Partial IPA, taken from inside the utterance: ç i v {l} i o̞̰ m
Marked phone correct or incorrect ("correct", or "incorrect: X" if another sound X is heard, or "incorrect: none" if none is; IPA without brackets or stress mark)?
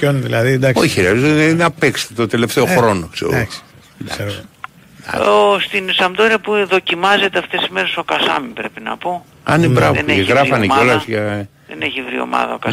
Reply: incorrect: ɾ